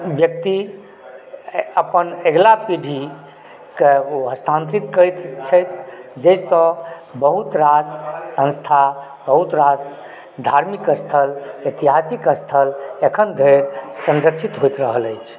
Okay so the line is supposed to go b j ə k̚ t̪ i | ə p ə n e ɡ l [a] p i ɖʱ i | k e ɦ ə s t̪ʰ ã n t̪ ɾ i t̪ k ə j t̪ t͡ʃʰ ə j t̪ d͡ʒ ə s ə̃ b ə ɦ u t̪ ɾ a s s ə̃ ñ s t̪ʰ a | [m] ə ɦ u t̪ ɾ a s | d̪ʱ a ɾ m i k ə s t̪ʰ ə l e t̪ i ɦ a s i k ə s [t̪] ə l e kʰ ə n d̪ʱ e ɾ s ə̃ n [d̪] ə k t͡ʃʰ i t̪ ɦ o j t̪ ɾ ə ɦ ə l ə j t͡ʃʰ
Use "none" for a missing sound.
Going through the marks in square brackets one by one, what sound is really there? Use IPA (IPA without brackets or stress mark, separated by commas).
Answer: a, b, t̪ʰ, d̪